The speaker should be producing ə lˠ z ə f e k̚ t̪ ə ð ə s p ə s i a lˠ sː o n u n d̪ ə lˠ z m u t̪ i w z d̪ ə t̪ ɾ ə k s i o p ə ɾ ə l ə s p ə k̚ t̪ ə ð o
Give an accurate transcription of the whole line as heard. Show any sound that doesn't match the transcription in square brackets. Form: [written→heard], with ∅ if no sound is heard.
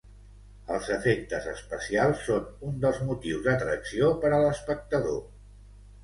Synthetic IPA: ə lˠ z ə f e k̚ t̪ ə [ð→z] ə s p ə s i a lˠ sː o n u n d̪ ə lˠ z m u t̪ i w z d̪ ə t̪ ɾ ə k s i o p ə ɾ ə l ə s p ə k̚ t̪ ə ð o